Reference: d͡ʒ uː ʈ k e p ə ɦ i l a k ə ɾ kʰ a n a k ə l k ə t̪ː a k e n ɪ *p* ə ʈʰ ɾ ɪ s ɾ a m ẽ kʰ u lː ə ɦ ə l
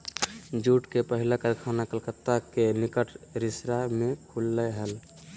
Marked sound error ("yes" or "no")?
yes